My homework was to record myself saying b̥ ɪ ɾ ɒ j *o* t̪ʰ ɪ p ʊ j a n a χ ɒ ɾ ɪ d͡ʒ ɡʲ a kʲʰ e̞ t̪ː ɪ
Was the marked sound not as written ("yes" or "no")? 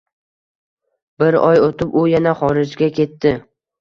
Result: no